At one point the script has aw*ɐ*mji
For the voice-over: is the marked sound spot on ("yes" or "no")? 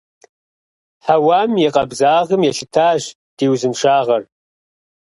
no